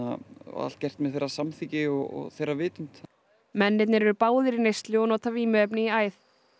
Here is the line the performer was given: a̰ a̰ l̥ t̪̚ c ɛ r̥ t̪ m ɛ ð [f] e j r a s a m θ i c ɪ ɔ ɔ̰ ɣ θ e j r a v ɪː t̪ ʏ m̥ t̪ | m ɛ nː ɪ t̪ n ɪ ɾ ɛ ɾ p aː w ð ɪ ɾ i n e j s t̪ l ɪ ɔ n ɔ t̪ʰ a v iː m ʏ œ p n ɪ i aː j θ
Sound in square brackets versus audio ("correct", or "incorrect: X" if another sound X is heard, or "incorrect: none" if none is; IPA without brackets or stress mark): incorrect: θ